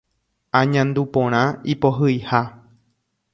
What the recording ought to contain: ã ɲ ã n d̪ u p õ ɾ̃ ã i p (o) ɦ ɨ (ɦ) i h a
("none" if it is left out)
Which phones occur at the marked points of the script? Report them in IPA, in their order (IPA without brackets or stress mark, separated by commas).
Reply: o, none